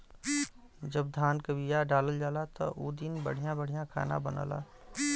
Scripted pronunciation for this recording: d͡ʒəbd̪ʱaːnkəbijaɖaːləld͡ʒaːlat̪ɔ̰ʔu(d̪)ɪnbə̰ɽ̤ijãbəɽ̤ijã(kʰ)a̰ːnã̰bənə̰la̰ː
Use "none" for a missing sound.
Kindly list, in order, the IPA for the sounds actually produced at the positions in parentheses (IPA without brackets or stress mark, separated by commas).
d̪, kʰ